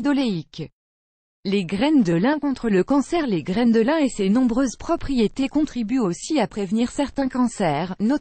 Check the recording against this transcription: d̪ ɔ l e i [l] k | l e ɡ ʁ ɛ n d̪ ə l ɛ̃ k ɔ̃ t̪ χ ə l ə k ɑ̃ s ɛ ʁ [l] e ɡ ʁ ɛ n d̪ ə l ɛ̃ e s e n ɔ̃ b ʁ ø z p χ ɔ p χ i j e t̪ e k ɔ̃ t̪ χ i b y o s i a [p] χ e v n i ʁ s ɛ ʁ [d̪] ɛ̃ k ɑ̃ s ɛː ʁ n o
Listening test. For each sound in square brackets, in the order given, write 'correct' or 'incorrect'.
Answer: incorrect: none, correct, correct, incorrect: t̪

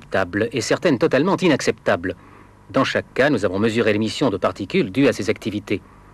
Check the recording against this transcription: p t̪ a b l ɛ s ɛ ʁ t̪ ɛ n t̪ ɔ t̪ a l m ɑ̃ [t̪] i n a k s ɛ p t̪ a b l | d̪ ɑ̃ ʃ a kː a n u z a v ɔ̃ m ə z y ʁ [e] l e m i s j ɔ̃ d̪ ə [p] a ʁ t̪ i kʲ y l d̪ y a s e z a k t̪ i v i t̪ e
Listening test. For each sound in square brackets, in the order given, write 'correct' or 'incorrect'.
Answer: correct, correct, correct

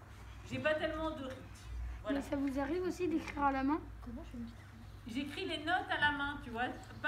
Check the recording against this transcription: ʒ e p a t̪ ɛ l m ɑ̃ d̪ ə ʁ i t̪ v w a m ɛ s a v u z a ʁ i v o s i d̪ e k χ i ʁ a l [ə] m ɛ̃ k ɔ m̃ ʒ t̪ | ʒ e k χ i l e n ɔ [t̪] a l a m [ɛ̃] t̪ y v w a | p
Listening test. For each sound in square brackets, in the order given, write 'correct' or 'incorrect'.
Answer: incorrect: a, correct, correct

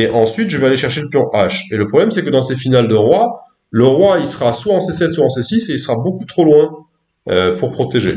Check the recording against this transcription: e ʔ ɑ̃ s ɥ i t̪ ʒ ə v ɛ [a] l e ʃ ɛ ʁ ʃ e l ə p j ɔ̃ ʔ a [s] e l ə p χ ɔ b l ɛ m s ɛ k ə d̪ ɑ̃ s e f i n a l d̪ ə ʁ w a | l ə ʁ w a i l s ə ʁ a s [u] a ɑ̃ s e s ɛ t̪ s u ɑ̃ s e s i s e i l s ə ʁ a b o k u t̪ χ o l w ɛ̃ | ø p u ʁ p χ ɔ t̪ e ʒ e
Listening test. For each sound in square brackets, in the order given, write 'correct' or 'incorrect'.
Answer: correct, incorrect: ʃ, incorrect: w

